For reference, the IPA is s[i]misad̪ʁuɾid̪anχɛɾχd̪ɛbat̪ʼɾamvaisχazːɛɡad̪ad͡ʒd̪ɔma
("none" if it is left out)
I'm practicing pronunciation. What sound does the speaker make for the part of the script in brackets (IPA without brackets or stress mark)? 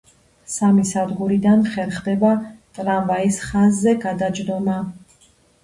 a